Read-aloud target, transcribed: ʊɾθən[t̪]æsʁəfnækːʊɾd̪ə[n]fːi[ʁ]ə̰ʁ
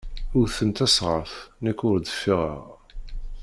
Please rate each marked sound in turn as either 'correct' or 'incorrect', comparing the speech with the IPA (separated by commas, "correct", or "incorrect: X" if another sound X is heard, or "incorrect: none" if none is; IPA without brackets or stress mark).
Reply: correct, incorrect: none, correct